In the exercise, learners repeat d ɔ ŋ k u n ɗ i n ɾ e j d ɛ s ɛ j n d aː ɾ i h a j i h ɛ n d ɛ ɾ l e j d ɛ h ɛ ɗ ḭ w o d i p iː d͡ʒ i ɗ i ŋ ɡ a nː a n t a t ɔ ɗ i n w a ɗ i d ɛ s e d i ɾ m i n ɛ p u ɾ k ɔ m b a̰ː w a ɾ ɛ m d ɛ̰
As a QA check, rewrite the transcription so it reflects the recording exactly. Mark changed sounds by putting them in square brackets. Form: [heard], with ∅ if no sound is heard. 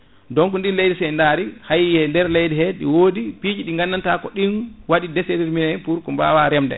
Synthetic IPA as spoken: d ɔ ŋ k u n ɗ i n [l] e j d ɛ s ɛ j n d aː ɾ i h a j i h ɛ n d ɛ ɾ l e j d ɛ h ɛ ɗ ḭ w o d i p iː d͡ʒ i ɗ i ŋ ɡ a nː a n t a [k] ɔ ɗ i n w a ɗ i d ɛ s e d i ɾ m i n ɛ p u ɾ k ɔ m b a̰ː w a ɾ ɛ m d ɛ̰